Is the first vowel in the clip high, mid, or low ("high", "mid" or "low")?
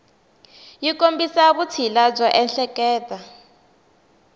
high